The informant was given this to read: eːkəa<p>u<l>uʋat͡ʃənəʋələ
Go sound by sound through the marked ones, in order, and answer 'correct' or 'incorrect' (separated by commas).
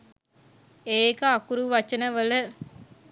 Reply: incorrect, incorrect